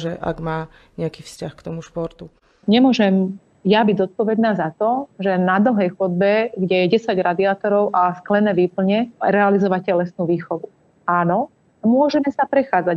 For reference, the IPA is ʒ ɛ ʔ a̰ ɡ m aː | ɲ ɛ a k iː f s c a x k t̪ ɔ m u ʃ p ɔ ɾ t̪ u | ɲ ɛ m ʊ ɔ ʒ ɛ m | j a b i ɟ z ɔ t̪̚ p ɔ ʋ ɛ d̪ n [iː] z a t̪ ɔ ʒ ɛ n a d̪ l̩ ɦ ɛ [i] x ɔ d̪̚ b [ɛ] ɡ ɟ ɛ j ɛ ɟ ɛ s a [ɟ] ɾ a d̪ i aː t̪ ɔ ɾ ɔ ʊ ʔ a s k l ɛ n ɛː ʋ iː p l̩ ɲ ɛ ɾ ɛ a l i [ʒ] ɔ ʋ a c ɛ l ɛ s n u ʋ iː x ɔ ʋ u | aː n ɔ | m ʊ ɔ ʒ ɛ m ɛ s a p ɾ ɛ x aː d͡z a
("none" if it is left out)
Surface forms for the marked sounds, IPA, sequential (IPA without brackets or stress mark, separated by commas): aː, j, ɛ, ɟ, z